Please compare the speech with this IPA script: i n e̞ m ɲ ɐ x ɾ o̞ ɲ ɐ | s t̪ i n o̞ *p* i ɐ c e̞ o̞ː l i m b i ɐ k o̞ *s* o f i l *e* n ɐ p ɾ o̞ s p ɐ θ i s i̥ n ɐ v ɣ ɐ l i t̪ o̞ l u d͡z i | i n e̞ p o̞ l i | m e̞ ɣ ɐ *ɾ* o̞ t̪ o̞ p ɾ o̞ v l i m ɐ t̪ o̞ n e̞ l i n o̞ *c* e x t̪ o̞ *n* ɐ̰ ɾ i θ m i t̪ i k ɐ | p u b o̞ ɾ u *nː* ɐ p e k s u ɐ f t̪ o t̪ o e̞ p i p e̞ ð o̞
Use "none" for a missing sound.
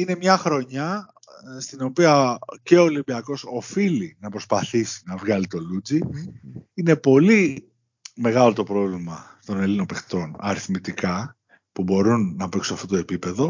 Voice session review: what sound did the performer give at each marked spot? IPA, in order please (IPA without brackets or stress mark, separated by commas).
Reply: p, s, i, l, p, n, nː